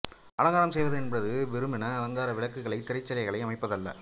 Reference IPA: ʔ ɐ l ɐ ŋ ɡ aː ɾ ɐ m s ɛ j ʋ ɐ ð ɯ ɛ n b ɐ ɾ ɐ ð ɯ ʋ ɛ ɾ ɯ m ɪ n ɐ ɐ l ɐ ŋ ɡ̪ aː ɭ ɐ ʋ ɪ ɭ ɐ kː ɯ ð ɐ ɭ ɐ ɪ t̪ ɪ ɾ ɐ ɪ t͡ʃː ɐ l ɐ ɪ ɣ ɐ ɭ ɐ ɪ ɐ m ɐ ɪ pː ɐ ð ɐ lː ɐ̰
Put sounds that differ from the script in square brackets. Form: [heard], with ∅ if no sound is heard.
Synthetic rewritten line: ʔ ɐ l ɐ ŋ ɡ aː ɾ ɐ m s ɛ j ʋ ɐ ð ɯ ɛ n b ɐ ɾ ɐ ð ɯ ʋ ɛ ɾ ɯ m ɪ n ɐ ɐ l ɐ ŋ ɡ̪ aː [ɾ] ɐ ʋ ɪ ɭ ɐ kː ɯ [ɣ] ɐ ɭ ɐ ɪ t̪ ɪ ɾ ɐ ɪ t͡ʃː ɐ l ɐ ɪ ɣ ɐ ɭ ɐ ɪ ɐ m ɐ ɪ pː ɐ ð ɐ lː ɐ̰